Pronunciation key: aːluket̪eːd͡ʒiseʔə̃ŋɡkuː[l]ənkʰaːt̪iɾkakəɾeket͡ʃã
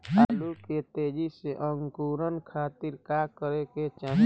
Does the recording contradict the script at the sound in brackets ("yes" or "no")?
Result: yes